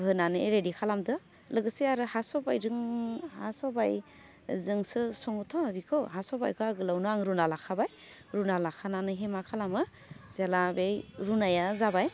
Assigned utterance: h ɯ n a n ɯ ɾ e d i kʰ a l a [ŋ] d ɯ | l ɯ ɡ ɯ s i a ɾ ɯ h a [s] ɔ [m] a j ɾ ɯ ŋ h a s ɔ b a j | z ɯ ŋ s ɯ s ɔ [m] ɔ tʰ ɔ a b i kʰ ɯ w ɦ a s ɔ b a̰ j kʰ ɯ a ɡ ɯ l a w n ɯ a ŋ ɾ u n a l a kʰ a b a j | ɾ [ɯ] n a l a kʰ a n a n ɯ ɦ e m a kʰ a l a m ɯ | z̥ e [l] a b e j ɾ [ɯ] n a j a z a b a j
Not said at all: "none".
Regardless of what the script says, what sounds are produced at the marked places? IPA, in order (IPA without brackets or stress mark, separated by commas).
m, s, b, ŋ, u, l, u